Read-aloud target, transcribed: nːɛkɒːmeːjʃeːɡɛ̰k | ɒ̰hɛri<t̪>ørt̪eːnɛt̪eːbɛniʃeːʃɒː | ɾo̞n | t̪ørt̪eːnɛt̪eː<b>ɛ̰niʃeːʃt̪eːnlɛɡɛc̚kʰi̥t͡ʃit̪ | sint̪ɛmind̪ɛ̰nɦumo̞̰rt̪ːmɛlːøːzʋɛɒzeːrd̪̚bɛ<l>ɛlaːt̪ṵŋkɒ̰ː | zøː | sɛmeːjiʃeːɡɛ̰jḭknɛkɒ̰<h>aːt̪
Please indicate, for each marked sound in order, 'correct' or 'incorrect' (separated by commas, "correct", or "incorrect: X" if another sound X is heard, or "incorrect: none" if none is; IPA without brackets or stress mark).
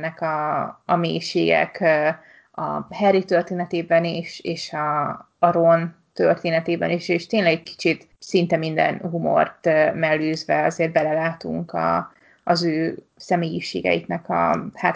correct, correct, correct, correct